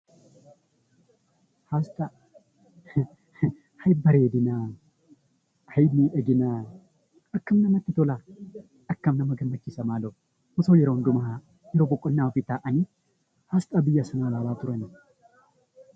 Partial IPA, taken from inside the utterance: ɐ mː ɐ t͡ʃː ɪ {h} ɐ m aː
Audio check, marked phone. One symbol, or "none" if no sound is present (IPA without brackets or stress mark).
s